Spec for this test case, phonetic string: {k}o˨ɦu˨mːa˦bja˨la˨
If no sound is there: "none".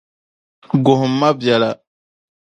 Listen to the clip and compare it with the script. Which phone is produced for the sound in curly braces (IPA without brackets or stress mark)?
ɡ